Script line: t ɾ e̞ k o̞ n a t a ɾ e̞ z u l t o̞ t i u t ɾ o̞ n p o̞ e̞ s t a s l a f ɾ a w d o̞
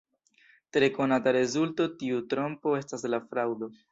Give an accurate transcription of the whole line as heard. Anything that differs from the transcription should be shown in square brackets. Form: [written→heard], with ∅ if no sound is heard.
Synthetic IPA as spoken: t ɾ e̞ k o̞ n a t a ɾ e̞ z u l t o̞ t i u t ɾ o̞ [n→m] p o̞ e̞ s t a s l a f ɾ a w d o̞